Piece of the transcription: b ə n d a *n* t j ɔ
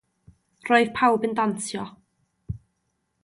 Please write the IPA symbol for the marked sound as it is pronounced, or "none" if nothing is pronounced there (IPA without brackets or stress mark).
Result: n